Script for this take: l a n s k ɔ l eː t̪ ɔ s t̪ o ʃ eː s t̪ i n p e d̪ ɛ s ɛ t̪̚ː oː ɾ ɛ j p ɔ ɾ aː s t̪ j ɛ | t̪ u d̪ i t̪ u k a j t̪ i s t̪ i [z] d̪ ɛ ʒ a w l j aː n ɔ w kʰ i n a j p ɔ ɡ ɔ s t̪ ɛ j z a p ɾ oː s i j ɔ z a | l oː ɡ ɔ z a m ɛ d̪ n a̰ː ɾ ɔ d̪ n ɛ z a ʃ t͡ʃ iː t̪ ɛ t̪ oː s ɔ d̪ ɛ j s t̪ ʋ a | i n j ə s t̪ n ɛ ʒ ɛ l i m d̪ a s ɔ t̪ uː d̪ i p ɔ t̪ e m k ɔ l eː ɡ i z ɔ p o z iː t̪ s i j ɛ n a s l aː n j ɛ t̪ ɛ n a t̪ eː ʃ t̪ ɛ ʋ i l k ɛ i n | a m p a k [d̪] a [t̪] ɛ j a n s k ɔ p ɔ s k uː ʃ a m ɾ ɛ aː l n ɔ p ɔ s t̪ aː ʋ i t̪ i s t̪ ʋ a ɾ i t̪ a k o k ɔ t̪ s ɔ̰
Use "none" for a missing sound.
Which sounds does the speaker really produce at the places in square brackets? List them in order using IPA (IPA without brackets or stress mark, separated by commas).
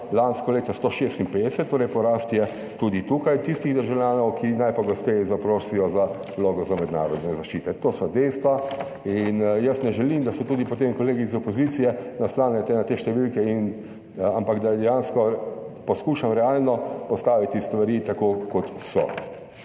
ɣ, d̪, d̪